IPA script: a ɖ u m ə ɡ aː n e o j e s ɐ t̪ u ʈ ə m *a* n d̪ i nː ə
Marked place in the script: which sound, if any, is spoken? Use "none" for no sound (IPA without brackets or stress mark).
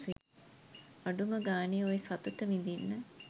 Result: i